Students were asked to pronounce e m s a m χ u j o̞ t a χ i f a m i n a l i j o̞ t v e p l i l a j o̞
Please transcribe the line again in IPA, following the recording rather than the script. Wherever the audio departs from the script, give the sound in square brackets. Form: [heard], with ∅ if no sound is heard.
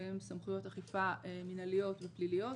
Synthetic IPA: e m s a m χ u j o̞ t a χ i f a m i n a l i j o̞ t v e p l i l [i] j o̞